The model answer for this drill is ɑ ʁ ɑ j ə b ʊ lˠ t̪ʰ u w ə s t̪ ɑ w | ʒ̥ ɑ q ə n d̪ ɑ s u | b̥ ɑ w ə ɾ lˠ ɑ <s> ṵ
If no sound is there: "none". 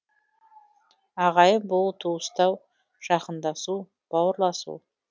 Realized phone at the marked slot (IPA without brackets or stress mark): s